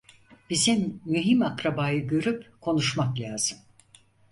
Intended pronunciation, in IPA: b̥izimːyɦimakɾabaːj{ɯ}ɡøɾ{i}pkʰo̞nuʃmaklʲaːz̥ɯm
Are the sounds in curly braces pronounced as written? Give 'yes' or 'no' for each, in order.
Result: yes, no

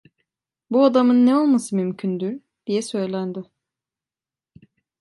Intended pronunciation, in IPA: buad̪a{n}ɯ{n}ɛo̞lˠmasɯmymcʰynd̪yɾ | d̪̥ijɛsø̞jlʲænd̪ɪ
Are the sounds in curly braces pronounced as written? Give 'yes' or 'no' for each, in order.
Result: no, no

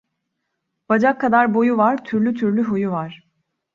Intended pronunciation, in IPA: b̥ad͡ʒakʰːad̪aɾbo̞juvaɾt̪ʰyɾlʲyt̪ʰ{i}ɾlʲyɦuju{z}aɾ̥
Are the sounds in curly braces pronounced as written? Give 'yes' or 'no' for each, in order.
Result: no, no

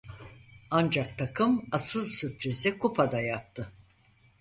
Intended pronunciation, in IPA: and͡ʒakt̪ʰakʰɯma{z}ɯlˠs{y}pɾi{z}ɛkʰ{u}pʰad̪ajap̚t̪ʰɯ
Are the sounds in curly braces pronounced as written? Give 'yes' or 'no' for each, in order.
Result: no, yes, yes, yes

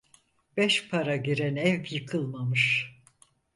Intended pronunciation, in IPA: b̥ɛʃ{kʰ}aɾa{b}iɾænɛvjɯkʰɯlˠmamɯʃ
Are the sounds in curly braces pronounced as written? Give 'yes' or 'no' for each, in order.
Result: no, no

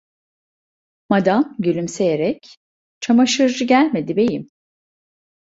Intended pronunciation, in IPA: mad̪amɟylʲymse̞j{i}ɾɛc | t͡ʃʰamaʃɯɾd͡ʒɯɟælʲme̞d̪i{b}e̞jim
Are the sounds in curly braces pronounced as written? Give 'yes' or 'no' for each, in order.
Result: no, yes

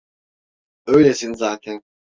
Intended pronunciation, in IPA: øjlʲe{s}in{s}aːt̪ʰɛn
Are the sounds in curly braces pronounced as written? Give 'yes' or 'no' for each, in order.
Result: yes, no

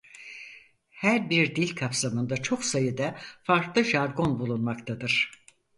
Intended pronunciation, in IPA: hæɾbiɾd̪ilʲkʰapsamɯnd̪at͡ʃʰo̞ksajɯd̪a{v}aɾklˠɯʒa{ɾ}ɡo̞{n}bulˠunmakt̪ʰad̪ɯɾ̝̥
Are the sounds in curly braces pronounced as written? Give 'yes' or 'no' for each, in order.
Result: no, yes, yes

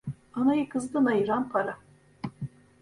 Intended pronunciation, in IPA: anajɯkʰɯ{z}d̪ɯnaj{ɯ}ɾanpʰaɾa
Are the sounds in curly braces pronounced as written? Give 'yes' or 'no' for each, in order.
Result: yes, yes

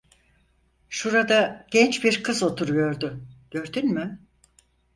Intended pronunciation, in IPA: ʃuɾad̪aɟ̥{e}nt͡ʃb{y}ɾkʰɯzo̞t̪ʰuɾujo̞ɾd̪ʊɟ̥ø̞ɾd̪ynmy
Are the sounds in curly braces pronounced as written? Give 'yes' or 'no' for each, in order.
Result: no, no

